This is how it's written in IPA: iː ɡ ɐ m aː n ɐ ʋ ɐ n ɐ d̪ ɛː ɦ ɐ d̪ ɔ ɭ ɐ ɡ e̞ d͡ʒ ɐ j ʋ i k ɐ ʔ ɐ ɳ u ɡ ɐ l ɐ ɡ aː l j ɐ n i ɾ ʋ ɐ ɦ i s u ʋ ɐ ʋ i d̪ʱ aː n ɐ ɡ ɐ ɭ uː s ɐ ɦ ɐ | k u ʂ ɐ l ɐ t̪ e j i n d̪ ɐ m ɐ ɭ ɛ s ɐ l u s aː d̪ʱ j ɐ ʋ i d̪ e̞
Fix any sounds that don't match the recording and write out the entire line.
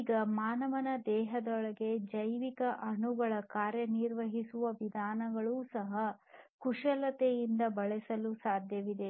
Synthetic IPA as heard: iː ɡ ɐ m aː n ɐ ʋ ɐ n ɐ d̪ ɛː ɦ ɐ d̪ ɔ ɭ ɐ ɡ e̞ d͡ʒ ɐ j ʋ i k ɐ ʔ ɐ ɳ u ɡ ɐ ɭ ɐ k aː ɾ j ɐ n i ɾ ʋ ɐ ɦ i s u ʋ ɐ ʋ i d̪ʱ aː n ɐ ɡ ɐ ɭ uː s ɐ ɦ ɐ | k u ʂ ɐ l ɐ t̪ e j i n d̪ ɐ b ɐ ɭ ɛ s ɐ l u s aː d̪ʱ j ɐ ʋ i d̪ e̞